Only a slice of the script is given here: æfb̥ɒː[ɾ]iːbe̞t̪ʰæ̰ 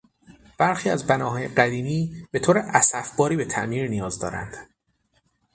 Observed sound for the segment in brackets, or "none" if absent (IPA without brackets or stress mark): ɾ